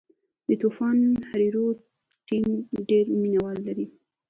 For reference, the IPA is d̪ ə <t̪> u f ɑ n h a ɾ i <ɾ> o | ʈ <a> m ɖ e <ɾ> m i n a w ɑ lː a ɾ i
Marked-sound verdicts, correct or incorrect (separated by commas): correct, correct, incorrect, correct